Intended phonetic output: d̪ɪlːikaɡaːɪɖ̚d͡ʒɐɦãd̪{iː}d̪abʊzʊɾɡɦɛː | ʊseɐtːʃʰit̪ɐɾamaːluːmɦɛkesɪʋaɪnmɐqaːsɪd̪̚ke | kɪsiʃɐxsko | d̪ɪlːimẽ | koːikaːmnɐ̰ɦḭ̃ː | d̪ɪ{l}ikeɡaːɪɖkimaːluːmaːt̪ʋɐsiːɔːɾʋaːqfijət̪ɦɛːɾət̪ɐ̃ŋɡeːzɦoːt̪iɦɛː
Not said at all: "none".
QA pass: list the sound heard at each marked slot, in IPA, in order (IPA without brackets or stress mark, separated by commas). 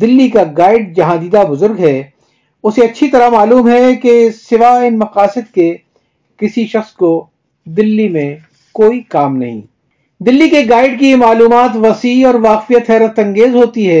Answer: iː, lː